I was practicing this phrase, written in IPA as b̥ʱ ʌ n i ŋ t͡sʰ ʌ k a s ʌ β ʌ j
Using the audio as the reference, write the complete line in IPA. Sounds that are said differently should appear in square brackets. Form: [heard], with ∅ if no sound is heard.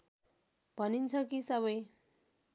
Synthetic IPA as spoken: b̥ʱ ʌ n i [n] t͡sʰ ʌ k [i] s ʌ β ʌ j

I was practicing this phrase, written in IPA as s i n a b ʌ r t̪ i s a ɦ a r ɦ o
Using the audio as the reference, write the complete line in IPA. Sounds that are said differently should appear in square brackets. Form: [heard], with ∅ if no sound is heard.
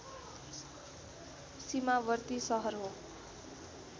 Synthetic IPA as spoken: s i [m] a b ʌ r t̪ i s [ʌ] ɦ [ʌ] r ɦ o

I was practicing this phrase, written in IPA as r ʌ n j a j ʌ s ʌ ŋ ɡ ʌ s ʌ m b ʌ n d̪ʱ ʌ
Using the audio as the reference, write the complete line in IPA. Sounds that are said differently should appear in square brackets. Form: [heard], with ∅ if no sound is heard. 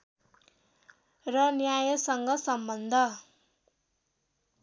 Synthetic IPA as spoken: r ʌ n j a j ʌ s ʌ ŋ ɡ ʌ s ʌ m b ʌ n d̪ʱ ʌ

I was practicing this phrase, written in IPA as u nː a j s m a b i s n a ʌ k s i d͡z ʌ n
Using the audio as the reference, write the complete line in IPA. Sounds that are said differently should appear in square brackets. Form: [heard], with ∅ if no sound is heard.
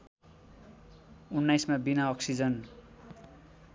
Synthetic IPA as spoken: u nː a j s m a b i [∅] n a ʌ k s i d͡z ʌ n

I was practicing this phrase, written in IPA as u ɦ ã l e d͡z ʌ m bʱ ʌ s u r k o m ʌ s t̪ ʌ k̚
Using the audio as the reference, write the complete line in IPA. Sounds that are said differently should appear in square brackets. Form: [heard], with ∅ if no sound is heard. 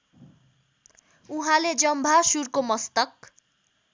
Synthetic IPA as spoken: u ɦ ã l e d͡z ʌ m bʱ [a] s u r k o m ʌ s t̪ ʌ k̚

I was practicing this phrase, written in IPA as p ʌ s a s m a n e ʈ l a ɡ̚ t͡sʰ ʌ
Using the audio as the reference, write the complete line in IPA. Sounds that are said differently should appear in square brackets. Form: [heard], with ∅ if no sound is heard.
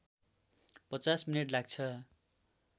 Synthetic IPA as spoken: p ʌ [t͡s] a s m [i] n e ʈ l a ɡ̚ t͡sʰ ʌ

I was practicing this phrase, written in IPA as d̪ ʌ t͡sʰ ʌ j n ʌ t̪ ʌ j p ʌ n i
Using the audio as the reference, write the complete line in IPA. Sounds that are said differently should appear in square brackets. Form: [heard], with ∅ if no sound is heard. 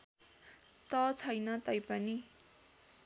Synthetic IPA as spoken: [t̪] ʌ t͡sʰ ʌ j n ʌ t̪ ʌ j p ʌ n i

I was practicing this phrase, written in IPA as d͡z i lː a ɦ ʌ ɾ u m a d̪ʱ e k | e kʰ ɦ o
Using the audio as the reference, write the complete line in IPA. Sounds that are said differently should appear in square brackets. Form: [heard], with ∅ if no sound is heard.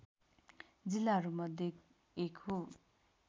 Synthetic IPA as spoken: d͡z i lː a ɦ ʌ ɾ u m [ʌ] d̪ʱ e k | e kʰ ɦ o

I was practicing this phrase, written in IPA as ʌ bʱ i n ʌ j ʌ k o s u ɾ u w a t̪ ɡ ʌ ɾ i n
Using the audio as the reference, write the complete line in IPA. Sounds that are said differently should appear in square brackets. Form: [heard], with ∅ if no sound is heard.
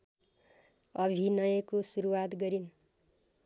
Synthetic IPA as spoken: ʌ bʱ i n ʌ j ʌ k o s u ɾ u w a t̪ ɡ ʌ ɾ i n

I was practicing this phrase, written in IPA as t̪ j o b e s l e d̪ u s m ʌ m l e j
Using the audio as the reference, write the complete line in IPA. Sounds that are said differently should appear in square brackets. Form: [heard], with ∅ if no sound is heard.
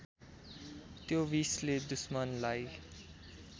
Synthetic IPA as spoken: t̪ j o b [i] s l e d̪ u s m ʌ [n] l [a] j

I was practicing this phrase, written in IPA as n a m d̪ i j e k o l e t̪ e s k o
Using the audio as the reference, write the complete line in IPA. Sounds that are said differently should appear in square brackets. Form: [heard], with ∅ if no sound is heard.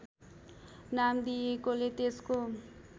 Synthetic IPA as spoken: n a m d̪ i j e k o l e t̪ e s k o

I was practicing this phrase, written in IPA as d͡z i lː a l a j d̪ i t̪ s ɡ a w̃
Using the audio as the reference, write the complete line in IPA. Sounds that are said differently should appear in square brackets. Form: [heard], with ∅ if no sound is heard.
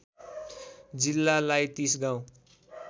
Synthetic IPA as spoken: d͡z i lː a l a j [t̪] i [∅] s ɡ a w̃

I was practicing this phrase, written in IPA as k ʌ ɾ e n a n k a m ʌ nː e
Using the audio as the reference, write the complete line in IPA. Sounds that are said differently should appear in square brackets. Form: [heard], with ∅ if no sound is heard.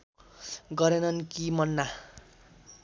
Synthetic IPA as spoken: [ɡ] ʌ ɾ e n [ʌ] n k [i] m ʌ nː [a]

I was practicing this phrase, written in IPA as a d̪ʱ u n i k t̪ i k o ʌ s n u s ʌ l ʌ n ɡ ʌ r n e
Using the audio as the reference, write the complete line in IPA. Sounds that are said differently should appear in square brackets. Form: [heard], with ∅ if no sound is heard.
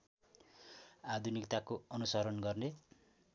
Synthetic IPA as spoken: a d̪ʱ u n i k t̪ [a] k o ʌ [∅] n u s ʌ [ɾ] ʌ n ɡ ʌ r n e

